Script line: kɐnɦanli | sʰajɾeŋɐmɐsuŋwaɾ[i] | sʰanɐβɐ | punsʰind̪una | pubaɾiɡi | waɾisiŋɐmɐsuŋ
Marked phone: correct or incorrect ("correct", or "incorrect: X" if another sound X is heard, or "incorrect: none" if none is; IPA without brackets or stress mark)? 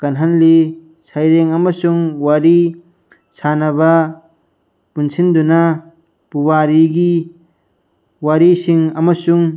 correct